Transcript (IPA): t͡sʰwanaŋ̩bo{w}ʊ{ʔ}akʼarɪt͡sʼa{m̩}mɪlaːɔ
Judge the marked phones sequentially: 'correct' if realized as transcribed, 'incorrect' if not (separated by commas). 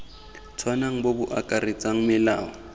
incorrect, correct, incorrect